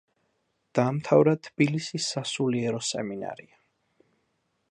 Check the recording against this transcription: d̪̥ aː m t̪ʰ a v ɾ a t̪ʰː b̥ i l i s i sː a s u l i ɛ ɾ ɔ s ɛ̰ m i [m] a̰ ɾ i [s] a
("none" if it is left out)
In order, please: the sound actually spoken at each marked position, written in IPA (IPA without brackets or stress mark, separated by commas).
n, none